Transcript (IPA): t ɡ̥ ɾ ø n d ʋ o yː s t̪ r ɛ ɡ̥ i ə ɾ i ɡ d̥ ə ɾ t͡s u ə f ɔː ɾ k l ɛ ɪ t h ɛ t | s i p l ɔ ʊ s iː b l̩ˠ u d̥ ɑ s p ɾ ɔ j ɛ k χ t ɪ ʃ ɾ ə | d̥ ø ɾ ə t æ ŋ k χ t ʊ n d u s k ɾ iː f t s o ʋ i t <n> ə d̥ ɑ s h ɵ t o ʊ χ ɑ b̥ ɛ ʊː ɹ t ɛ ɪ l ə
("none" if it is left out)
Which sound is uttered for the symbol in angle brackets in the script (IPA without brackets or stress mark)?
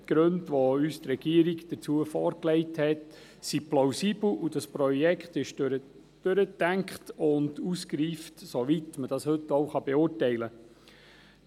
m